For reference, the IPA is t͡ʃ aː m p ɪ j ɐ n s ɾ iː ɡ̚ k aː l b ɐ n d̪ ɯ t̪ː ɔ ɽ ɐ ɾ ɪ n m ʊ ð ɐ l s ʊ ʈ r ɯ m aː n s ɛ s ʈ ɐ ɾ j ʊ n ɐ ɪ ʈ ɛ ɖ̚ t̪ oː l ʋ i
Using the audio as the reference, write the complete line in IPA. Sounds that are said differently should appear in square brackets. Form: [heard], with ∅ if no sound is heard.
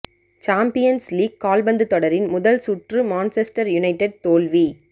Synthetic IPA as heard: t͡ʃ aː m p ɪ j ɐ n s [l] iː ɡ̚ k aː l b ɐ n d̪ ɯ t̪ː ɔ ɽ ɐ ɾ ɪ n m ʊ ð ɐ l s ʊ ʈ r ɯ m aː n s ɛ s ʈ ɐ ɾ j ʊ n ɐ ɪ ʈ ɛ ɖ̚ t̪ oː l ʋ i